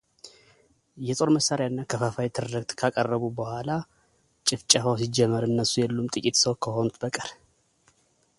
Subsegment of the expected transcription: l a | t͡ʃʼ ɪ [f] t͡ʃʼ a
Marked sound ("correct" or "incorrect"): correct